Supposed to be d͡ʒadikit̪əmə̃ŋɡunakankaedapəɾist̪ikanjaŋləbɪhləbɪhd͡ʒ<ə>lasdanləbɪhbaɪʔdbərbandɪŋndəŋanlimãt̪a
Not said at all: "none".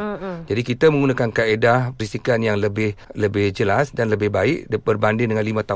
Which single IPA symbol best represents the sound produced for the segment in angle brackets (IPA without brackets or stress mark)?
ə